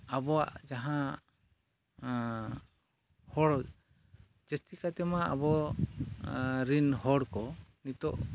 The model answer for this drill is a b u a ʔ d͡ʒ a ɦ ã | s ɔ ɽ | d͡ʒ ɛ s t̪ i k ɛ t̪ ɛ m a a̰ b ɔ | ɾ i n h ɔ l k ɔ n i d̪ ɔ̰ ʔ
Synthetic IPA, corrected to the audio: a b ɔ a ʔ d͡ʒ a ɦ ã | h ɔ ɽ | d͡ʒ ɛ s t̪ i k a t̪ ɛ m a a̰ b ɔ | ɾ i n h ɔ ɽ k ɔ n i t̪ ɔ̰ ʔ